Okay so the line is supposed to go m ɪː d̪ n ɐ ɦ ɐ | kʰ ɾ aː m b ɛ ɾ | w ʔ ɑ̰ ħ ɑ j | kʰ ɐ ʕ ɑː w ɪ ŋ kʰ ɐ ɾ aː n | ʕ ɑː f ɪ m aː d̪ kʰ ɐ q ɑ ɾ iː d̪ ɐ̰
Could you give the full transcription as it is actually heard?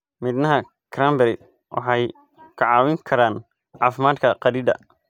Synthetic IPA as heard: m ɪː d̪ n ɐ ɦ ɐ | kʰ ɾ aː m b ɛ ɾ | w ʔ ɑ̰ ħ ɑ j | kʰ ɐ ʕ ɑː w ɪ ŋ kʰ ɐ ɾ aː n | ʕ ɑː f ɪ m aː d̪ kʰ ɐ q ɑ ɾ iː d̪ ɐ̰